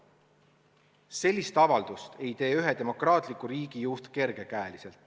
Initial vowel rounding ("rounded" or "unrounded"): unrounded